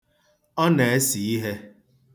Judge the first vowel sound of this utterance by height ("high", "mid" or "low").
mid